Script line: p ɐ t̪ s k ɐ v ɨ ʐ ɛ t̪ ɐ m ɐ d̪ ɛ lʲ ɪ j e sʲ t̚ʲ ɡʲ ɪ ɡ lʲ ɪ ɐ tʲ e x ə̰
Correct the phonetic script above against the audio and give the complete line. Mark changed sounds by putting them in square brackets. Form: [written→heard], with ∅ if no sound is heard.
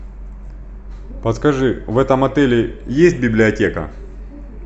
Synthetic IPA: p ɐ t̪ s k ɐ [v→ʐ] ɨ [ʐ→v] ɛ t̪ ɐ m ɐ [d̪→t̪] ɛ lʲ ɪ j e sʲ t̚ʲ [ɡʲ→bʲ] ɪ [ɡ→b] lʲ ɪ ɐ tʲ e [x→k] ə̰